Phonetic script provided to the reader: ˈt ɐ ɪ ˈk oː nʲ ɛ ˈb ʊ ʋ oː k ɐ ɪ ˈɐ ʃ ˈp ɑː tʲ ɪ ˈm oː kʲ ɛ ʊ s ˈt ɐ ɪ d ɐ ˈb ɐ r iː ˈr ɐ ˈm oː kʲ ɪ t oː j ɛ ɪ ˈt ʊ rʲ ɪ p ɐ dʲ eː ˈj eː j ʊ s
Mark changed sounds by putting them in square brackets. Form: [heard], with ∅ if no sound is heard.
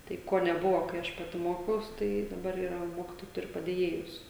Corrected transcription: ˈt ɐ ɪ ˈk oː nʲ ɛ ˈb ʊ ʋ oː k ɐ ɪ ˈɐ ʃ ˈp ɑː tʲ ɪ ˈm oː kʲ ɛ ʊ s ˈt ɐ ɪ d ɐ ˈb ɐ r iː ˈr ɐ ˈm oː kʲ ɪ t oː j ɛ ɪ ˈt ʊ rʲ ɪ p ɐ dʲ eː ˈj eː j ʊ s